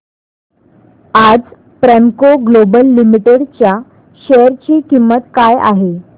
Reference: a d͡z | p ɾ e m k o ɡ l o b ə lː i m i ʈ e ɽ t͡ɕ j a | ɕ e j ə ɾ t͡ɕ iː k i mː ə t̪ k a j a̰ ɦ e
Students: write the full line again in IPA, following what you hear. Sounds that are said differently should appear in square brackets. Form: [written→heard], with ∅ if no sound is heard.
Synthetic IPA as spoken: a d͡z | p ɾ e m k o ɡ l o b ə lː i m i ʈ e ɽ t͡ɕ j a | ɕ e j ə ɾ t͡ɕ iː k i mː ə t̪ k a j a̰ ɦ e

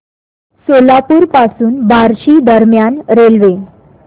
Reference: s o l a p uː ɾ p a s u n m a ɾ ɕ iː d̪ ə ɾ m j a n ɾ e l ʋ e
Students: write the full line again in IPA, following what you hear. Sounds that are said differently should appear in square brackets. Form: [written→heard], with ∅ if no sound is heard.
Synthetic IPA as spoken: s o l a p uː ɾ p a s [u→uː] n [m→b] a ɾ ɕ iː d̪ ə ɾ m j a n ɾ e l ʋ e

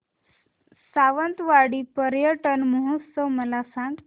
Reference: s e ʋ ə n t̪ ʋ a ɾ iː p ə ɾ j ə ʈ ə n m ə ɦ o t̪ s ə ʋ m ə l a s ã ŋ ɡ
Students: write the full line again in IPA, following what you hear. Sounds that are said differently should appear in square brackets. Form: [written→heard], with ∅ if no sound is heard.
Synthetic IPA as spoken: s [e→a] ʋ ə n t̪ ʋ a [ɾ→ɽ] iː p ə ɾ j ə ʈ ə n m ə ɦ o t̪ s ə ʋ m ə l a s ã ŋ ɡ

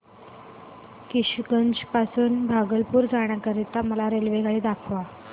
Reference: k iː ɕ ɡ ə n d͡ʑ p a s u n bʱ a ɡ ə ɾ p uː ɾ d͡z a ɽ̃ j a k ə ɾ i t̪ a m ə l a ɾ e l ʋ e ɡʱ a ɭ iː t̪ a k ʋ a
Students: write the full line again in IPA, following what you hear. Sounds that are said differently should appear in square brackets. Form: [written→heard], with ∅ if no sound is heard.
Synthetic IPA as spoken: k [iː→i] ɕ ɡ ə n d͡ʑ p a s [u→uː] n bʱ a ɡ ə [ɾ→l] p uː ɾ d͡z a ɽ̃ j a k ə ɾ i t̪ a m ə l a ɾ e l ʋ e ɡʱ a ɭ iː [t̪→d̪] a [k→kʰ] ʋ a

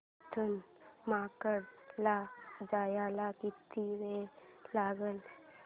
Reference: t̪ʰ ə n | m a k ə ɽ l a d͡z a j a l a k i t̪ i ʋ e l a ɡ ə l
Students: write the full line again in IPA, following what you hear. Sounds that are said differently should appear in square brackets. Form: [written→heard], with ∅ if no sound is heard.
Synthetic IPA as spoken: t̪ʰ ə n | m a k ə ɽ l a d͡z a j a l a k i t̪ i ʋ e l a ɡ ə l

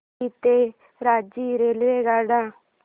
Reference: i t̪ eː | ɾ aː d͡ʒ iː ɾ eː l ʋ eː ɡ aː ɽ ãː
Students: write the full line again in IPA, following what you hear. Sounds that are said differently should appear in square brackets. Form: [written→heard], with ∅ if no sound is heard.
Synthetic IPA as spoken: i t̪ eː | ɾ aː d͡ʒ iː ɾ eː l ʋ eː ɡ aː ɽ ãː

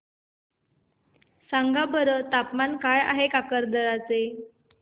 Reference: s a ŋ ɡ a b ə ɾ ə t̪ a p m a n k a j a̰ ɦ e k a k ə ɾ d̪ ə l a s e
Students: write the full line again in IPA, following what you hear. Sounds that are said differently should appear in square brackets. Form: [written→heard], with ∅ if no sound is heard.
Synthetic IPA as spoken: s a ŋ ɡ a b ə ɾ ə t̪ a p m a n k a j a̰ ɦ e k a k ə ɾ d̪ ə [l→ɾ] a [s→t͡s] e

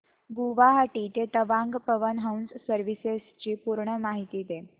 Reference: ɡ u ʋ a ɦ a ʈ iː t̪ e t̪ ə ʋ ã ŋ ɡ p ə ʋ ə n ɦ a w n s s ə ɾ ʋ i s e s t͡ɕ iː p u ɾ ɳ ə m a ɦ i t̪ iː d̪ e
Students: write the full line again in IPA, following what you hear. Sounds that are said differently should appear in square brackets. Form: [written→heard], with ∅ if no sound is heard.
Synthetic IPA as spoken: ɡ u ʋ a ɦ a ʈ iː t̪ e t̪ ə ʋ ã ŋ ɡ p ə ʋ ə n ɦ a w n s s ə ɾ ʋ i s e s t͡ɕ iː p u ɾ ɳ ə m a ɦ i t̪ iː d̪ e

